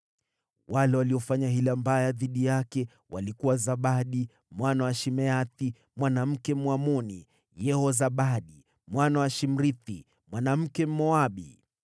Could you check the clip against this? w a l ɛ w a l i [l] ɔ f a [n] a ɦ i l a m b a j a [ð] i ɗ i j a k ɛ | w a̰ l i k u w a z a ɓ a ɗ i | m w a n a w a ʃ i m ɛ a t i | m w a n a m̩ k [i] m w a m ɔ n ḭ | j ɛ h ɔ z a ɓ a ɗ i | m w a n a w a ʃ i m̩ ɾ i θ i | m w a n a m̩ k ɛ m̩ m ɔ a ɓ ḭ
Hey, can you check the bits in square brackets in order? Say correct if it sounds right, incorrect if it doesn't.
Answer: incorrect: none, incorrect: ɲ, correct, incorrect: ɛ

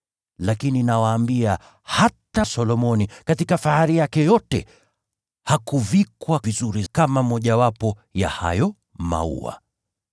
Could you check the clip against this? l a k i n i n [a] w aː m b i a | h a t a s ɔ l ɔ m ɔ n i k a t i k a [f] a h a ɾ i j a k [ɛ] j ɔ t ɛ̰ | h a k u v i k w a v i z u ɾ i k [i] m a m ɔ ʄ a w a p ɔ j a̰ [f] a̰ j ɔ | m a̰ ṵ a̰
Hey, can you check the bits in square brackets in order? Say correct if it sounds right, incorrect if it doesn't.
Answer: correct, correct, correct, incorrect: a, incorrect: h

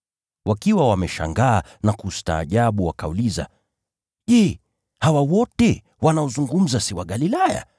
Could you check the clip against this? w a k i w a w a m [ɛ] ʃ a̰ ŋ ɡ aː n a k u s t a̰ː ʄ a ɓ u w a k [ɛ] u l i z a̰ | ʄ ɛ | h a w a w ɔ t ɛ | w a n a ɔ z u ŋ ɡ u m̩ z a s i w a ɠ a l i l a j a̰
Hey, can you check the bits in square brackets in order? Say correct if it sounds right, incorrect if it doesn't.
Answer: correct, incorrect: a

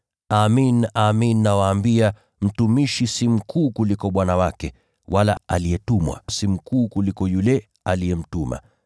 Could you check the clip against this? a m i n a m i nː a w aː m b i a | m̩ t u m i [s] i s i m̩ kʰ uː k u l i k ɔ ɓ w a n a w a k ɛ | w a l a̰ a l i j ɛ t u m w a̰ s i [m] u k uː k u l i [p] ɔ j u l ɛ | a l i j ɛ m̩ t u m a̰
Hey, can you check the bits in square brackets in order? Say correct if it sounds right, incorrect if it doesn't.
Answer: incorrect: ʃ, correct, incorrect: k

